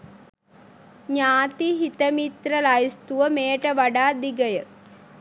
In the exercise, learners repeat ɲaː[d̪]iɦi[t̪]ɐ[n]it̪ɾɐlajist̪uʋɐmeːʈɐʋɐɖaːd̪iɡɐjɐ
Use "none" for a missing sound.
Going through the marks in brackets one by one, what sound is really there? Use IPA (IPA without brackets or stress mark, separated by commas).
t̪, t̪, m